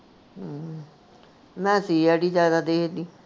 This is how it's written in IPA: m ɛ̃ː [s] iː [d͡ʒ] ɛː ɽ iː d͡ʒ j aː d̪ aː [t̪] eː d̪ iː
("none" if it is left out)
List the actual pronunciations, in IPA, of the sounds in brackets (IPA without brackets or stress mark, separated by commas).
s, none, d̪